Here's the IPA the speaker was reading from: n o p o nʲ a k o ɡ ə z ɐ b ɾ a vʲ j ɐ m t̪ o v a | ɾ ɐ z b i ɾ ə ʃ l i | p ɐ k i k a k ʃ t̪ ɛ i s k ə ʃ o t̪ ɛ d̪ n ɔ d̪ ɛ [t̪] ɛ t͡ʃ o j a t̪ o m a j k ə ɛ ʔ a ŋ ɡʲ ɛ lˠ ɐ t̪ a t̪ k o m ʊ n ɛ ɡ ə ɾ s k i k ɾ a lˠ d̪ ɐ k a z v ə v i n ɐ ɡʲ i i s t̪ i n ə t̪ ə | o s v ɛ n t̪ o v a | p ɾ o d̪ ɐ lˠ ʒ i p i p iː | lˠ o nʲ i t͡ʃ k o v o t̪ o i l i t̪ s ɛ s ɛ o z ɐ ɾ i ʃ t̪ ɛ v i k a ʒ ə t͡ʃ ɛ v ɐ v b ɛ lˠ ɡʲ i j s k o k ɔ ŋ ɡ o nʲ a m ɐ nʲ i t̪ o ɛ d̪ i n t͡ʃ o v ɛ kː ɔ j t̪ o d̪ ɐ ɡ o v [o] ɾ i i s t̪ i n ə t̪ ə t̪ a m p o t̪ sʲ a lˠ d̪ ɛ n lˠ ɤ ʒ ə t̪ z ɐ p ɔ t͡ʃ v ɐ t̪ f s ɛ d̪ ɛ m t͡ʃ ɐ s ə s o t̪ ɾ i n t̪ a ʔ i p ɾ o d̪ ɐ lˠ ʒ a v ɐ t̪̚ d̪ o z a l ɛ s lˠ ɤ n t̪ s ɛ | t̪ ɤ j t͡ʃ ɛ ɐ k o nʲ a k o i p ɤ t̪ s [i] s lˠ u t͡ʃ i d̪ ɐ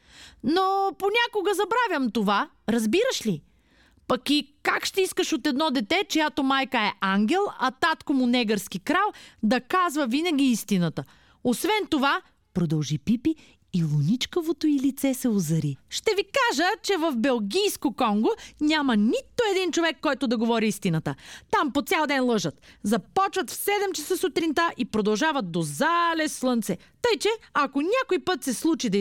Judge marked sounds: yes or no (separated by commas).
yes, no, no